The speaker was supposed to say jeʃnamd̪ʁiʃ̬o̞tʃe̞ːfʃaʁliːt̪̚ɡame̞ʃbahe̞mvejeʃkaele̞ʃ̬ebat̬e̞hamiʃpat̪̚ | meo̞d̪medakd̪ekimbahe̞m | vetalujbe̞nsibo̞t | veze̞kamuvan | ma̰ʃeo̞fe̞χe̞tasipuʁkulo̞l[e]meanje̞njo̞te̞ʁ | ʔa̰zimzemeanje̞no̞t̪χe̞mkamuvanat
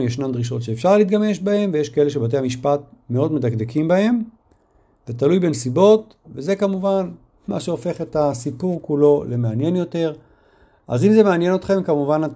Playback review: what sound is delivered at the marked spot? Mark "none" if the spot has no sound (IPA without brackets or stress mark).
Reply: e